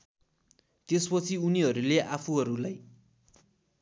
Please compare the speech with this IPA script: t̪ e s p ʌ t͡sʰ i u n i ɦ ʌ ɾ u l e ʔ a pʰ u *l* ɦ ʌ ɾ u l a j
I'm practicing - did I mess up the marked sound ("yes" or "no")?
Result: yes